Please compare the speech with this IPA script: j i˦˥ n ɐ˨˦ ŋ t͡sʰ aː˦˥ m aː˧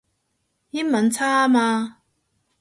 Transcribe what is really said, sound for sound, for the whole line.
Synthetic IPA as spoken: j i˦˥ m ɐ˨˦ n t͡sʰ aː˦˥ m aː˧